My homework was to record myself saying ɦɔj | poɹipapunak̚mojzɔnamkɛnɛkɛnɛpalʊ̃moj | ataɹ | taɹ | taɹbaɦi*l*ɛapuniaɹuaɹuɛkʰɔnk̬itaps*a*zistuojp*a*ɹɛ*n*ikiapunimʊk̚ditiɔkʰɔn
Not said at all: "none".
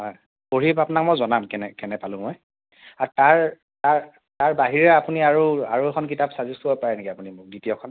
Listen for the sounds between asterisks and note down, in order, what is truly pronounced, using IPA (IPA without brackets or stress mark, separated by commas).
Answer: ɹ, a, a, n